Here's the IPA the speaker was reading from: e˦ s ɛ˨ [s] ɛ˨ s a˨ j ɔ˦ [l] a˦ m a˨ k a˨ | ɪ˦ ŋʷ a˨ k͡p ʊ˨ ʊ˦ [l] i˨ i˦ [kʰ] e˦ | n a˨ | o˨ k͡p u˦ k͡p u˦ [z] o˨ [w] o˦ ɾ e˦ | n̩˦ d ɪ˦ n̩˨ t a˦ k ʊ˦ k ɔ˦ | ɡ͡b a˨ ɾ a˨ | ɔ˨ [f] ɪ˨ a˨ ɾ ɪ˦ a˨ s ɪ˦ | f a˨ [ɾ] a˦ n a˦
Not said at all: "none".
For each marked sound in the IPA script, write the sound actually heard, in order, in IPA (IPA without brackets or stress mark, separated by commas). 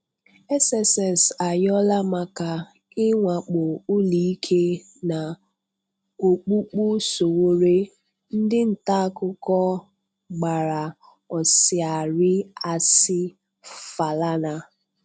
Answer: s, l, l, kʰ, s, w, s, l